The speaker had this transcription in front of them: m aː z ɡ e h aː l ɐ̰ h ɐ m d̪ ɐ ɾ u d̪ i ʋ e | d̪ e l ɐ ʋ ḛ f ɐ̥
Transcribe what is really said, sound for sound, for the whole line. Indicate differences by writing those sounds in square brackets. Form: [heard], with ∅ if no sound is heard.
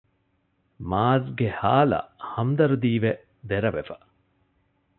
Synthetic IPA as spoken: m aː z ɡ e h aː l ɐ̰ h ɐ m d̪ ɐ ɾ u d̪ [iː] ʋ e | d̪ e [ɾ] ɐ ʋ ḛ f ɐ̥

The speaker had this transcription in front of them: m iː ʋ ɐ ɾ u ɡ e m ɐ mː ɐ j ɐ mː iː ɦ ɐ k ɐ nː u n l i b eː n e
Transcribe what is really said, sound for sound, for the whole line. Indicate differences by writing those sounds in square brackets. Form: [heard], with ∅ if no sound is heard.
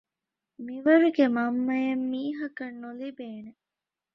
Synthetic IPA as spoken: m [i] ʋ ɐ ɾ u ɡ e m ɐ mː ɐ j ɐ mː iː ɦ ɐ k ɐ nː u [∅] l i b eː n e

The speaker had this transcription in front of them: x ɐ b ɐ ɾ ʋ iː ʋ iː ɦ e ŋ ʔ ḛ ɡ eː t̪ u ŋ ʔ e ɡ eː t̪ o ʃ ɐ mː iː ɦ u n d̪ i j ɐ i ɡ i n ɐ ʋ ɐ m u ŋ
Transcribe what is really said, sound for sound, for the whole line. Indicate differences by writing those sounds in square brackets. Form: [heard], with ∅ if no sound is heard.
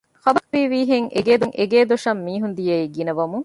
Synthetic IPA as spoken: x ɐ b ɐ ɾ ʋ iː ʋ iː ɦ e ŋ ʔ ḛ ɡ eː [d̪] u ŋ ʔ e ɡ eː [d̪] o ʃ ɐ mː iː ɦ u n d̪ i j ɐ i ɡ i n ɐ ʋ ɐ m u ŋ

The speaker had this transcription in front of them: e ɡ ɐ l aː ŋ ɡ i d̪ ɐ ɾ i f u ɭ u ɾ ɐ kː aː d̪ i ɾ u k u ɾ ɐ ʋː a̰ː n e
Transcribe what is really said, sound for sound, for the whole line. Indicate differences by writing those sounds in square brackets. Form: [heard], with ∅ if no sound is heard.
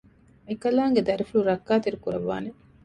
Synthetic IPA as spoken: e [k] ɐ l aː ŋ ɡ [e] d̪ ɐ ɾ i f u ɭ u ɾ ɐ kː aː [t̪] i ɾ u k u ɾ ɐ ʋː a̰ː n e

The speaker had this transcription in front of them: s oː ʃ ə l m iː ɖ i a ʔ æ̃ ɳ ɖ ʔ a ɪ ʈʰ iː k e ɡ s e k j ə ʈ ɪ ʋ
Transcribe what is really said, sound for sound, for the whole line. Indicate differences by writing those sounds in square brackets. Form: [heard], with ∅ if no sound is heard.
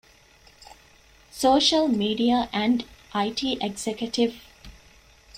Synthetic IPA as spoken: s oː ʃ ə l m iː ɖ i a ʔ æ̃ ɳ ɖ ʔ a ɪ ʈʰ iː [ʔ] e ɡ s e k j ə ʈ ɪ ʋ

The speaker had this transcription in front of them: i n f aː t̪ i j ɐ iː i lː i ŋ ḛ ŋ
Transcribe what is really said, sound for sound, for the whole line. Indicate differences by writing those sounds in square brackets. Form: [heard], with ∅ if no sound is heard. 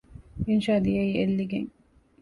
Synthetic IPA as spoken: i n [ʃ] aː [d̪] i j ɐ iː [e] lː i [ɡ] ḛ ŋ

